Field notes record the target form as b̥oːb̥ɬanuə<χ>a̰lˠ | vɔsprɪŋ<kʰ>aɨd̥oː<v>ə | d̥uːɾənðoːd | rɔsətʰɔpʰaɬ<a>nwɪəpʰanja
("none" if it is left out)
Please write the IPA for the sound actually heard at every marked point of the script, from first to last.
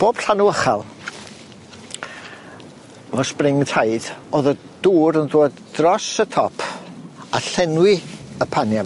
χ, tʰ, ð, ɛ

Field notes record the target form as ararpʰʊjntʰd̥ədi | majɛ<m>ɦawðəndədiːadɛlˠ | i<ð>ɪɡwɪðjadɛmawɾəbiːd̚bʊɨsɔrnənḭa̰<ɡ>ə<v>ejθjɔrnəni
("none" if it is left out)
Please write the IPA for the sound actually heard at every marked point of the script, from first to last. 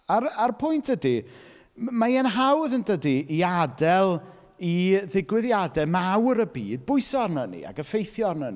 n, ð, ɡ, f

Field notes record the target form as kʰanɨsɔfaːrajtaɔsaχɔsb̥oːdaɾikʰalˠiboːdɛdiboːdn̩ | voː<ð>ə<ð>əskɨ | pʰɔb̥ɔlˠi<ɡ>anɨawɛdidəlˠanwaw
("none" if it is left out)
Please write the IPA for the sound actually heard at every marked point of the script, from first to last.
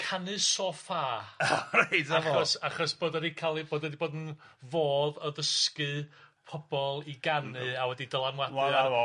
ð, ð, ɡ

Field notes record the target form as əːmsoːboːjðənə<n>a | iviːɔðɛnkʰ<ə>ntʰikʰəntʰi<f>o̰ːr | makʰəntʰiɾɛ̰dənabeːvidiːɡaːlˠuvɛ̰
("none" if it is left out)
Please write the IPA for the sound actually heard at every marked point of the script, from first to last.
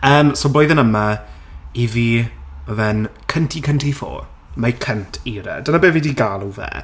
m, ə, f

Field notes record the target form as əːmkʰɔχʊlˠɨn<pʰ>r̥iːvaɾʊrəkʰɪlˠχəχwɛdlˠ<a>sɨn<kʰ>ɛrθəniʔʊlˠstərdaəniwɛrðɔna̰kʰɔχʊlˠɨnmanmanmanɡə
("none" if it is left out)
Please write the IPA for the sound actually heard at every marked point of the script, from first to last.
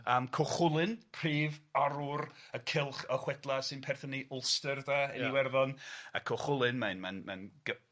pʰ, a, pʰ

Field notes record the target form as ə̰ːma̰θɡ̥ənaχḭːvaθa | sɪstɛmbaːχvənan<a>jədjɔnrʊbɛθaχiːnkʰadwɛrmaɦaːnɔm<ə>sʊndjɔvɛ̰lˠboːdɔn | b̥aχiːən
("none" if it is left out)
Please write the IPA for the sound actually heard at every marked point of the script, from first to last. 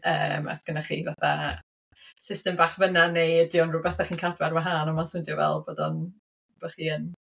e, a

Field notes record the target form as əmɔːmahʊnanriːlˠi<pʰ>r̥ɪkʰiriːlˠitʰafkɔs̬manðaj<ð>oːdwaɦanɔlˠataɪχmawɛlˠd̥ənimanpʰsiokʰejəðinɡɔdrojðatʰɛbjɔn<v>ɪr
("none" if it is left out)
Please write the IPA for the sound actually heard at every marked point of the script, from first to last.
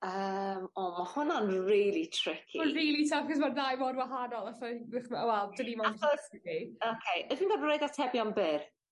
tʰ, v, b

